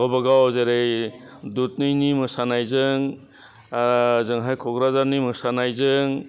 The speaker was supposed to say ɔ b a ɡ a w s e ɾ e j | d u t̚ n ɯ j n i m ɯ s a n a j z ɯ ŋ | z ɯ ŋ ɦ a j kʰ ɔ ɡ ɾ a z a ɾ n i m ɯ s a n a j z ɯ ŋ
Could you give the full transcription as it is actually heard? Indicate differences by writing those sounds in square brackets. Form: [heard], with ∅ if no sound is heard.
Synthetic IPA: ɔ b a ɡ a w [z] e ɾ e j | d u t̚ n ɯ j n i m ɯ s a n a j z ɯ ŋ | z ɯ ŋ ɦ a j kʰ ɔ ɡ ɾ a z a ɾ n i m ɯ s a n a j z ɯ ŋ